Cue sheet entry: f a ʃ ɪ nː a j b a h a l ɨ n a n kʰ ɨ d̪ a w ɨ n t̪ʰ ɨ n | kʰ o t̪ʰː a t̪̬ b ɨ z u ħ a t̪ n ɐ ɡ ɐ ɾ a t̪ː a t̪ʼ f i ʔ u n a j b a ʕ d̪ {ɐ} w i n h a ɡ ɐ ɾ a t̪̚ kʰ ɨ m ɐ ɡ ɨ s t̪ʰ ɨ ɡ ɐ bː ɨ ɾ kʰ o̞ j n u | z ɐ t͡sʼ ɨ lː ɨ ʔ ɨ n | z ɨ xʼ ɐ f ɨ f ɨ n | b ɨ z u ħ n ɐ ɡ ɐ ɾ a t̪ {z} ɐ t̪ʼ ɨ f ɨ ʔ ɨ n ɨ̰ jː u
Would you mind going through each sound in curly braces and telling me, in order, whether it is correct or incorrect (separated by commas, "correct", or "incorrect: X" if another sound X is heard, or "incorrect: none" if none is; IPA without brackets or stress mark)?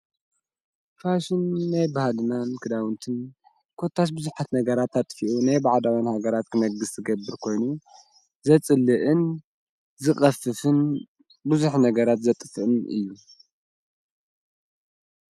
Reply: incorrect: a, correct